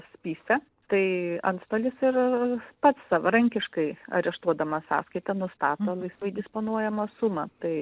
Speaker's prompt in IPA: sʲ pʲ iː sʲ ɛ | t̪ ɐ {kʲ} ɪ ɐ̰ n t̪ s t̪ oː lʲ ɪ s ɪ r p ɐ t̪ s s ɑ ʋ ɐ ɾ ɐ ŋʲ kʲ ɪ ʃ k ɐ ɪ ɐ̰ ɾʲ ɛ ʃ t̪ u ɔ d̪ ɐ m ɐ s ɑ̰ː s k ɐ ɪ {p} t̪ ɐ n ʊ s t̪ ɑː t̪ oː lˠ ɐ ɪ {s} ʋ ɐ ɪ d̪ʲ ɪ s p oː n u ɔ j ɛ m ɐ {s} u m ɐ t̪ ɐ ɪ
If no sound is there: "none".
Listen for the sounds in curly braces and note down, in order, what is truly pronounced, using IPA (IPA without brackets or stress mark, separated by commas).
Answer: none, none, s, s